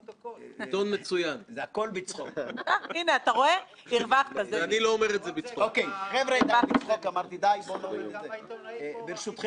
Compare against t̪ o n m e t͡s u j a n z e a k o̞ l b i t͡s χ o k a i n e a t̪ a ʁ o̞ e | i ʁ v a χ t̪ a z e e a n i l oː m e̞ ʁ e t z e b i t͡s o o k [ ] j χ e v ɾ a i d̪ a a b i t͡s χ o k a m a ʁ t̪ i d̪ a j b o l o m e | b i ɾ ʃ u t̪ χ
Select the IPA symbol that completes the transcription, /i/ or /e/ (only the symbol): e